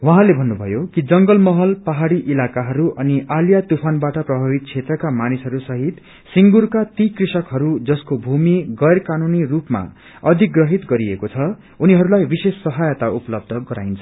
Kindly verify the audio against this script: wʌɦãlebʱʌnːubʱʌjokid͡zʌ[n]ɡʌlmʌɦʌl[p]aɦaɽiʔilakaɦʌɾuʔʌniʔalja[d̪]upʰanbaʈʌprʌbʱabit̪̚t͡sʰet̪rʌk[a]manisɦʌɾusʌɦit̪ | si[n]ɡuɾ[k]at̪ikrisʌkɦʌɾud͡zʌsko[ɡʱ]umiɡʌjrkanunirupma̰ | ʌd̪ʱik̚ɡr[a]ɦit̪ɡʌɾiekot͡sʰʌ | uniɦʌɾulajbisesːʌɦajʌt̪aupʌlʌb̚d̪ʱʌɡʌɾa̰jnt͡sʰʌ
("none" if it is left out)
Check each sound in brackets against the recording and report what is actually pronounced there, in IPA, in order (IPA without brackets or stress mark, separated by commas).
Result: ŋ, p, t̪, a, ŋ, k, bʱ, ʌ